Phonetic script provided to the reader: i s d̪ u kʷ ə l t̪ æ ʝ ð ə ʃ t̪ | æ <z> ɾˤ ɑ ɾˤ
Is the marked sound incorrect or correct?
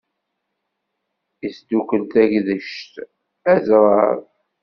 correct